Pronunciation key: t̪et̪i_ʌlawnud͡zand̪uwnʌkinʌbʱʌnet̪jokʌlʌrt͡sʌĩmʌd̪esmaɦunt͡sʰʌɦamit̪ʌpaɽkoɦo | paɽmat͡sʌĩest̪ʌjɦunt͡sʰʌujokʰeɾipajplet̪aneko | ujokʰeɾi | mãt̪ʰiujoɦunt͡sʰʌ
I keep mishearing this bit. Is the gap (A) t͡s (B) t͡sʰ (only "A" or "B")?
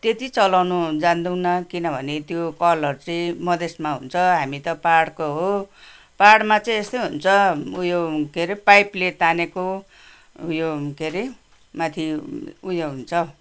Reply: A